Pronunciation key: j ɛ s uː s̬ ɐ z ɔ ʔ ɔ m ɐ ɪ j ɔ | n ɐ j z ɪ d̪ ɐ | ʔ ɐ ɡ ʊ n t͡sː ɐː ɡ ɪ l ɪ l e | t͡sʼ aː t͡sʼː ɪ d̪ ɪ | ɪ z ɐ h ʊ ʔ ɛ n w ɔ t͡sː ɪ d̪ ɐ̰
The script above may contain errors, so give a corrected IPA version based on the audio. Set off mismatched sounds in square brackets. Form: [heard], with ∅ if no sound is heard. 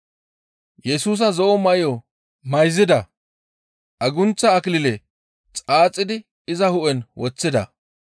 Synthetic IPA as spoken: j ɛ s uː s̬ ɐ z ɔ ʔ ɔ m ɐ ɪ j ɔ | [m] ɐ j z ɪ d̪ ɐ | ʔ ɐ ɡ ʊ n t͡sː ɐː [k] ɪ l ɪ l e | t͡sʼ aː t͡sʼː ɪ d̪ ɪ | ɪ z ɐ h ʊ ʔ ɛ n w ɔ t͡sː ɪ d̪ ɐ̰